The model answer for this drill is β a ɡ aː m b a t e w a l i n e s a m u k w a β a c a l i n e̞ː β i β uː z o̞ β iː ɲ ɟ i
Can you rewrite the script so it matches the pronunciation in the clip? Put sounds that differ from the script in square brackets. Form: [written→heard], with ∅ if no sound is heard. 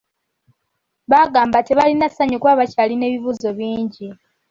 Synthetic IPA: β a ɡ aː m b a t e [w→β] a l i n [e→a] s a [m→ɲ] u k w a β a c a l i n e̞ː β i β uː z o̞ β iː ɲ ɟ i